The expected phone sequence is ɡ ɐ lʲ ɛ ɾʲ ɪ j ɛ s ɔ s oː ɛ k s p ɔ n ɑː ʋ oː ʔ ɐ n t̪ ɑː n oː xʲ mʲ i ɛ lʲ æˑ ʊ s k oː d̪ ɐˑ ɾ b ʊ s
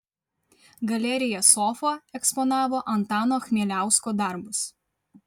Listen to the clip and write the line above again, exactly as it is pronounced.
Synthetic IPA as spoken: ɡ ɐ lʲ ɛ ɾʲ ɪ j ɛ s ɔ f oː ɛ k s p ɔ n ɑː ʋ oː ʔ ɐ n t̪ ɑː n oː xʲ mʲ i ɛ lʲ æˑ ʊ s k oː d̪ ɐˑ ɾ b ʊ s